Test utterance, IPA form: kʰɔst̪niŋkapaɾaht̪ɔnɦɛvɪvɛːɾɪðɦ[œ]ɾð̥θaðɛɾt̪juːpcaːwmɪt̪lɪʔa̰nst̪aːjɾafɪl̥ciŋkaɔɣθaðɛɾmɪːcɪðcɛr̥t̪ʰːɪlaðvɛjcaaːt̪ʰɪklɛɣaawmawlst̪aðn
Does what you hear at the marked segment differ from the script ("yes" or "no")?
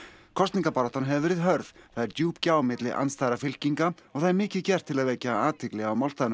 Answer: no